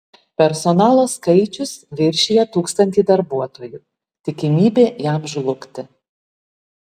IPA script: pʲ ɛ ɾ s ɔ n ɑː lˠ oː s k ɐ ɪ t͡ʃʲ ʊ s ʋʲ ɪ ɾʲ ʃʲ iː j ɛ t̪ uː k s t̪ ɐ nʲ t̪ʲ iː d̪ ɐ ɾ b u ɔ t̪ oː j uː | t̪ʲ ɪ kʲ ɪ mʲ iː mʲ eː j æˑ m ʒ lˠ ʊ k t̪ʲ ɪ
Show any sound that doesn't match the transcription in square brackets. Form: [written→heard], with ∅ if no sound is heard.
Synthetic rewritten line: pʲ ɛ ɾ s ɔ n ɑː lˠ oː s k ɐ ɪ t͡ʃʲ ʊ s ʋʲ ɪ ɾʲ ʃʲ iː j ɛ t̪ uː k s t̪ ɐ nʲ t̪ʲ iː d̪ ɐ ɾ b u ɔ t̪ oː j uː | t̪ʲ ɪ kʲ ɪ mʲ iː [mʲ→bʲ] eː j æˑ m ʒ lˠ ʊ k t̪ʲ ɪ